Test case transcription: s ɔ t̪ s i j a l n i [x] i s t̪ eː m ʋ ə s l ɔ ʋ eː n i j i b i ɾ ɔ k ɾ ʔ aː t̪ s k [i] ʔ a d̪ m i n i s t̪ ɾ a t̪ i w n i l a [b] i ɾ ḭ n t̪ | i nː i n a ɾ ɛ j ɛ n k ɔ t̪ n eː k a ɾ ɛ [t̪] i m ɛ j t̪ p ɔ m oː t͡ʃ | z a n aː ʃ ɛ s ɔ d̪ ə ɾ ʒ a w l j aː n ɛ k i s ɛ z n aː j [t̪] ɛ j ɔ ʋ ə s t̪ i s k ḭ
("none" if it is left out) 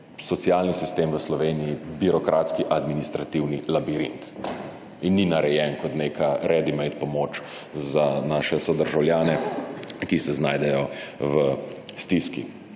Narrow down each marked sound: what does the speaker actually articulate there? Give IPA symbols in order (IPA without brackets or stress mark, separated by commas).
s, i, b, d̪, d̪